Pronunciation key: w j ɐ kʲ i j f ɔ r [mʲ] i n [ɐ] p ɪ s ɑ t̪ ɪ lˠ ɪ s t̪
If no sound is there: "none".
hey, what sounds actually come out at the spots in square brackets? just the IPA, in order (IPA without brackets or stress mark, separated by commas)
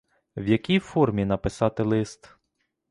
mʲ, ɐ